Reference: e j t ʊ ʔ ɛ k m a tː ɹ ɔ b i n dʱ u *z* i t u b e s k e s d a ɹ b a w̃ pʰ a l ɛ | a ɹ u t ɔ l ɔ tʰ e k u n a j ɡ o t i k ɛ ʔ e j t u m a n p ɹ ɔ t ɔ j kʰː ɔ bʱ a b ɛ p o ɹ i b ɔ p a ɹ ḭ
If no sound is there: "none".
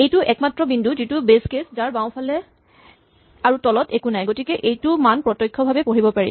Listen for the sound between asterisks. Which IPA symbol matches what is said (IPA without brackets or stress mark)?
z